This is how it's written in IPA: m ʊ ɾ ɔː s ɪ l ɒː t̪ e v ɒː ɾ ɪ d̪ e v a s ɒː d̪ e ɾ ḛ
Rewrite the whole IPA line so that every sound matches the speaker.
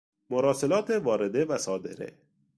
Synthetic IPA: m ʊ ɾ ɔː s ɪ l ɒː t̪ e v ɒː ɾ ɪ d̪ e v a s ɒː d̪ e ɾ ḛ